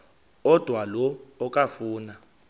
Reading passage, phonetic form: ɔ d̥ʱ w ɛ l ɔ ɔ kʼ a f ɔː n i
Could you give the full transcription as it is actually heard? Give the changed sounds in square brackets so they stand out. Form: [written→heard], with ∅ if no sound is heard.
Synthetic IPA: ɔ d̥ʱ w [ɛ→a] l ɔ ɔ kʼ a f [ɔː→uː] n [i→a]